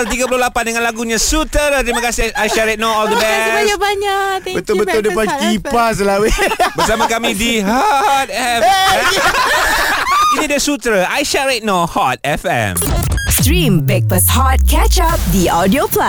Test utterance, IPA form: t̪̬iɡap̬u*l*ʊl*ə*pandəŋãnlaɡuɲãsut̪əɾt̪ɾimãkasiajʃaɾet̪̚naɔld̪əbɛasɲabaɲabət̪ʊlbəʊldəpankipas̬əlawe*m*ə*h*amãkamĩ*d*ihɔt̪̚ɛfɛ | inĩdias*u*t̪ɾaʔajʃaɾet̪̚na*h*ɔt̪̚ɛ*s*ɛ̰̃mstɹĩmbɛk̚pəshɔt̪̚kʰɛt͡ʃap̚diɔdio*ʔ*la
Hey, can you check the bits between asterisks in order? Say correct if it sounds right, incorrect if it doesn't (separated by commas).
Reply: correct, incorrect, incorrect, incorrect, correct, correct, correct, incorrect, incorrect